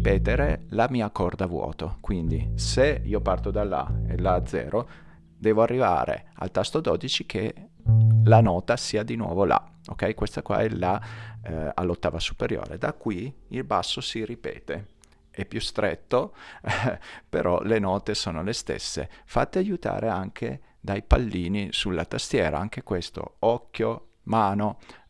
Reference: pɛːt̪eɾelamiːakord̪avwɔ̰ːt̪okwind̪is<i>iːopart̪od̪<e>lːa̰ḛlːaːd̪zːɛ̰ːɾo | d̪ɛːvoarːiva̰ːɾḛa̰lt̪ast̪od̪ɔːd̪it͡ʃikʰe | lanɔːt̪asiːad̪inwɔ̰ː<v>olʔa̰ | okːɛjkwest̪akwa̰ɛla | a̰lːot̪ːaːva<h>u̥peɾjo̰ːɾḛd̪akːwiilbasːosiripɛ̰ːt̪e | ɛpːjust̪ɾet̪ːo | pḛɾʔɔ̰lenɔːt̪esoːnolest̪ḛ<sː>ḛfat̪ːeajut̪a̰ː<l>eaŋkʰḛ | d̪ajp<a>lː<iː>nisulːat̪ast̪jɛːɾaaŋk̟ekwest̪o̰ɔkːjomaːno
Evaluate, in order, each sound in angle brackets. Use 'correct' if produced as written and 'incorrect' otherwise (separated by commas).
incorrect, incorrect, correct, incorrect, correct, incorrect, correct, correct